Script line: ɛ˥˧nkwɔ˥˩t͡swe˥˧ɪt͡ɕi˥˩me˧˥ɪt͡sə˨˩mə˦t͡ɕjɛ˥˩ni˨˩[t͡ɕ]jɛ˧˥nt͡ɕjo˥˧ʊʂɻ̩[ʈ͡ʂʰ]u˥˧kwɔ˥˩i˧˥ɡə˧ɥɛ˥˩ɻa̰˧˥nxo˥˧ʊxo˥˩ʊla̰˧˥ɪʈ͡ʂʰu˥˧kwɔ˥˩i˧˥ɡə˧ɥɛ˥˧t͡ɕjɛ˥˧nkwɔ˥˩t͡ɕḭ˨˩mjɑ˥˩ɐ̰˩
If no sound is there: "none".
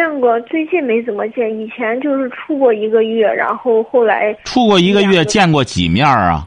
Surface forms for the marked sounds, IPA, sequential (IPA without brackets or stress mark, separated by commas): t͡ɕʰ, ʈ͡ʂʰ